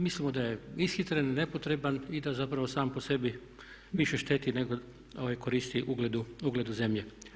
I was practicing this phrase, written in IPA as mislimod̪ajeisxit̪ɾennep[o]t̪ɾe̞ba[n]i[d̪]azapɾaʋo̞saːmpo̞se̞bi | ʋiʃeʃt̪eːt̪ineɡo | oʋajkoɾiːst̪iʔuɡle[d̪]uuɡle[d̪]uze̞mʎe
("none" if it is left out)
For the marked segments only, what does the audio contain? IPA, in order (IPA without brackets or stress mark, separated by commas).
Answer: o, n, d̪, d̪, d̪